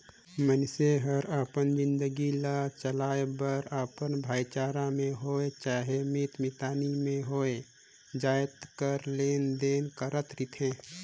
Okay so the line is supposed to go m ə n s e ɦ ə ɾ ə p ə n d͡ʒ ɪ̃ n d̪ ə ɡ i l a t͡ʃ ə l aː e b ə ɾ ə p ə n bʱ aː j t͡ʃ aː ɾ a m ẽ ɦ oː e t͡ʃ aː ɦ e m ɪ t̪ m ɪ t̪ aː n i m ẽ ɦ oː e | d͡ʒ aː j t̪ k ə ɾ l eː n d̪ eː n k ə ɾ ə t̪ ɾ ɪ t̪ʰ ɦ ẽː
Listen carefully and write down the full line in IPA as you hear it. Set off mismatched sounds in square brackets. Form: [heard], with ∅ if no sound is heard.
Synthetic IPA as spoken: m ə n s e ɦ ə ɾ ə p ə n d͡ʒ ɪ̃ n d̪ ə ɡ i l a t͡ʃ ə l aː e b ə ɾ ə p ə n bʱ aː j t͡ʃ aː ɾ a m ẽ ɦ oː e t͡ʃ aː ɦ e m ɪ t̪ m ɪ t̪ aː n i m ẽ ɦ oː e | d͡ʒ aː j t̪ k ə ɾ l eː n d̪ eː n k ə ɾ ə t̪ ɾ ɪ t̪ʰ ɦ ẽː